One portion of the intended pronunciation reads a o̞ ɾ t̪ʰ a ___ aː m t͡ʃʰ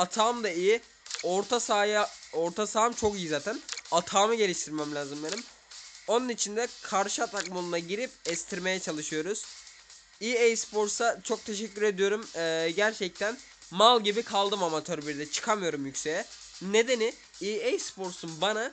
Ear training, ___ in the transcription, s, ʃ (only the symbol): s